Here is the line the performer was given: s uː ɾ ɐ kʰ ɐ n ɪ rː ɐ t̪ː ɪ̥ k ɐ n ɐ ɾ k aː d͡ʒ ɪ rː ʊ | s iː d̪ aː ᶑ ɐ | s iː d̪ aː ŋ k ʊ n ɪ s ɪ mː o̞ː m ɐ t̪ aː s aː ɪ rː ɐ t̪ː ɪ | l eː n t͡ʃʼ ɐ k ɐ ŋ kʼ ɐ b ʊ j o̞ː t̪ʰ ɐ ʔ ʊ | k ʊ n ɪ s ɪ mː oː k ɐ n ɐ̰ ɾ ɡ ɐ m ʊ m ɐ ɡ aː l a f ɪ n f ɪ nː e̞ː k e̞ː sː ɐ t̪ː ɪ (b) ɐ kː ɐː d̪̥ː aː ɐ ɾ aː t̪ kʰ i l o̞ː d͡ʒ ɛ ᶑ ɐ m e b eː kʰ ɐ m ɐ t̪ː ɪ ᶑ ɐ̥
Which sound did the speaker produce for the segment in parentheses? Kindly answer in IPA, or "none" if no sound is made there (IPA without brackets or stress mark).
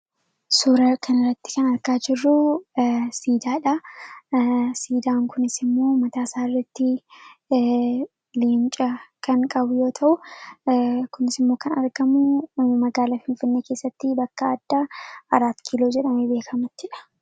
b